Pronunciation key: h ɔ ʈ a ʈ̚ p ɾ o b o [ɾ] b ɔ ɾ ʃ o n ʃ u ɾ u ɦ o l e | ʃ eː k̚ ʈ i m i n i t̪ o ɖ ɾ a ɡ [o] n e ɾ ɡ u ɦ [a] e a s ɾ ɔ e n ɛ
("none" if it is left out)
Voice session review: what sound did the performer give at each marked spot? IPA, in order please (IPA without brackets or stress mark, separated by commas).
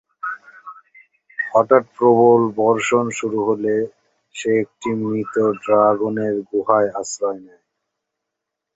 l, o, a